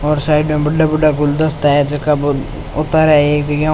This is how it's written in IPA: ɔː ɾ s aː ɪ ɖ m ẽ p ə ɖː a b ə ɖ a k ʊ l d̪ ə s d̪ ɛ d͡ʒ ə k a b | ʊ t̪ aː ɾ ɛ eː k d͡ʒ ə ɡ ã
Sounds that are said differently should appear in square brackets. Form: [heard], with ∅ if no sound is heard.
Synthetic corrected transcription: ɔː ɾ s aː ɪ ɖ m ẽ [b] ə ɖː a b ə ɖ a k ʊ l d̪ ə s [t̪] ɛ d͡ʒ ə k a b | ʊ t̪ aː ɾ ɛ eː k d͡ʒ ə ɡ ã